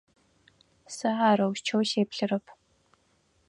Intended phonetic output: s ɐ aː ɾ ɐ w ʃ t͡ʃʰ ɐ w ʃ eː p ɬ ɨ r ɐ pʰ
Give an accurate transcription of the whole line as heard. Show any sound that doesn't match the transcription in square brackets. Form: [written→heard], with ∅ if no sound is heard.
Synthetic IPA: s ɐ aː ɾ ɐ w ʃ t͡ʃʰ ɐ w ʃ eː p ɬ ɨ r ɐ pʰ